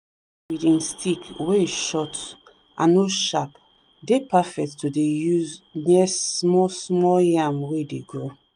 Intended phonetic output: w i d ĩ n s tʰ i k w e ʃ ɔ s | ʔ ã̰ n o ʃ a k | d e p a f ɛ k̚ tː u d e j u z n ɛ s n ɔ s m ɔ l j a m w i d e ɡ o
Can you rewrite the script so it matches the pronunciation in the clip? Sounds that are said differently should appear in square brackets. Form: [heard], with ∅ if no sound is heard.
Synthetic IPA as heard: w i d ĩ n s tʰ i k w e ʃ ɔ [t] | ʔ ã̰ n o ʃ a [p] | d e p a f ɛ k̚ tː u d e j u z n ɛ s [m] ɔ s m ɔ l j a m w [e] d e ɡ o